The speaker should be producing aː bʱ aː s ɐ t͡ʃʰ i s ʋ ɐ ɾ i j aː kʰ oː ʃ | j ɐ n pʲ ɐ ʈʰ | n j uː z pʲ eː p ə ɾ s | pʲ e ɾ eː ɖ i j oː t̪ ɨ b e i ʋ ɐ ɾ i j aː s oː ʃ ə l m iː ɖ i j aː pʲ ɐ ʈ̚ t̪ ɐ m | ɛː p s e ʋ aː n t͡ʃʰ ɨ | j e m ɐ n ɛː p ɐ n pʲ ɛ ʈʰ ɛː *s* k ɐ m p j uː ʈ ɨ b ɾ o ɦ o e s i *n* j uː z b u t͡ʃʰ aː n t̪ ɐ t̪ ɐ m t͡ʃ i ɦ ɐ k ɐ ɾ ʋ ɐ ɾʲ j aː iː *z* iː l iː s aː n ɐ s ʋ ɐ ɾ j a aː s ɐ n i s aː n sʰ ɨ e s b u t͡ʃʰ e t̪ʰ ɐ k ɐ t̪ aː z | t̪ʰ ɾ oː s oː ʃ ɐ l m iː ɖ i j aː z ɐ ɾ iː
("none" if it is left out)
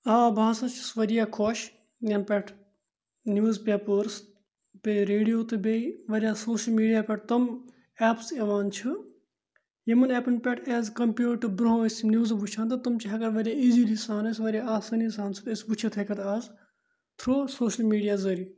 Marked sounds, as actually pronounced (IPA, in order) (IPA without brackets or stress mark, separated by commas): z, n, z